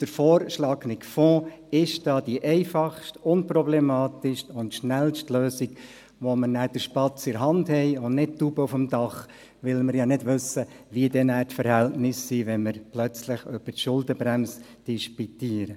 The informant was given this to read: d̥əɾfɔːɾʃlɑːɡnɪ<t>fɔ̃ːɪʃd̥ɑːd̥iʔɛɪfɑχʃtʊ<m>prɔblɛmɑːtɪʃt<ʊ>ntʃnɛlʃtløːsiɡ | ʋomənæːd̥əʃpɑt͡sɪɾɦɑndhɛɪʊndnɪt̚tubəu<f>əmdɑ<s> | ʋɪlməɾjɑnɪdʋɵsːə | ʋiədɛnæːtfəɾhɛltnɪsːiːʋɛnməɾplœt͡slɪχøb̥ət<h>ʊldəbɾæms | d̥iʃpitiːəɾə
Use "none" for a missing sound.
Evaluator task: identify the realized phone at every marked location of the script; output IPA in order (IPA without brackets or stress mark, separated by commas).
k, n, ʊ, f, χ, ʃ